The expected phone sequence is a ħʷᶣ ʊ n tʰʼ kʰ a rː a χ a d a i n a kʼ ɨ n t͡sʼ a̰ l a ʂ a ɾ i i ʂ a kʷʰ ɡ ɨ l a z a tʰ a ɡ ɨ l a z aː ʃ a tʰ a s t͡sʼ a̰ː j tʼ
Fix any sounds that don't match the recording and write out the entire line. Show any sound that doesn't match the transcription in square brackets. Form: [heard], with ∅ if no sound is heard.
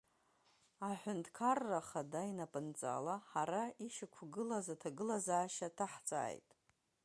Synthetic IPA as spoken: a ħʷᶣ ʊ n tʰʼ kʰ a rː a χ a d a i n a [pʼ] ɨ n t͡sʼ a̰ l a [ħ] a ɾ [a] i [ʃ] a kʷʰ ɡ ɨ l a z a tʰ a ɡ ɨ l a z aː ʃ a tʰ a [ħ] t͡sʼ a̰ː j tʼ